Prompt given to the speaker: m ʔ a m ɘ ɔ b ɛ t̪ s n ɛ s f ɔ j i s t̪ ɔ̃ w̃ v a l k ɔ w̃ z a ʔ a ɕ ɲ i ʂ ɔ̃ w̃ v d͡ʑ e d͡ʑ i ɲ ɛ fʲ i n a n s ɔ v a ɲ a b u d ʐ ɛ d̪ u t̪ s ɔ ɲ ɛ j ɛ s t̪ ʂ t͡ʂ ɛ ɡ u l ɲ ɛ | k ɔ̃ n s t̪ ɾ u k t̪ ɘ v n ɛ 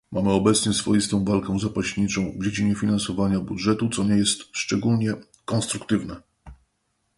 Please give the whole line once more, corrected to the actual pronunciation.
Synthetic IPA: m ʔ a m ɘ ɔ b ɛ t̪ s ɲ ɛ s f ɔ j i s t̪ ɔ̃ w̃ v a l k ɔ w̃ z a p a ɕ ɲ i t͡ʂ ɔ̃ w̃ v d͡ʑ e d͡ʑ i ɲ ɛ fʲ i n a n s ɔ v a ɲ a b u d ʐ ɛ t̪ u t̪ s ɔ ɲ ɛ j ɛ s t̪ ʂ t͡ʂ ɛ ɡ u l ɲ ɛ | k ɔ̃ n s t̪ ɾ u k t̪ ɘ v n ɛ